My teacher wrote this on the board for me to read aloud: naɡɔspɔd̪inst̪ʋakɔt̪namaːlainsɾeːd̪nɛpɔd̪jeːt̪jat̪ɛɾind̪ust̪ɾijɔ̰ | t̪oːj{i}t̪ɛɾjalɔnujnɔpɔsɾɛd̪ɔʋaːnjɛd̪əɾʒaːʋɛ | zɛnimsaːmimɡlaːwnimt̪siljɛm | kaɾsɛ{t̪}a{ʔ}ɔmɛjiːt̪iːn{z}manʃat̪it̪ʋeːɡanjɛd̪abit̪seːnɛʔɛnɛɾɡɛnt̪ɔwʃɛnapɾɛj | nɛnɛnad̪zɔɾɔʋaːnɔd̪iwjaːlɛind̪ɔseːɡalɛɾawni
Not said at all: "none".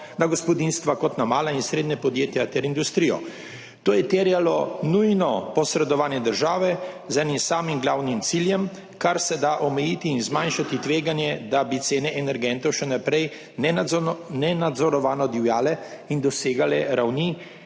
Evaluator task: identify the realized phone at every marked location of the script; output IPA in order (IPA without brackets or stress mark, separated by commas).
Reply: ɛ, d̪, ʔ, z